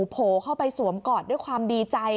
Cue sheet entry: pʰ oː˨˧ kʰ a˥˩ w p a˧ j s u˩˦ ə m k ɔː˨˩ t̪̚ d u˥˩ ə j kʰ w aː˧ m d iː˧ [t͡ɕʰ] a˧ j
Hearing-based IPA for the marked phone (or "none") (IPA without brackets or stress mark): t͡ɕ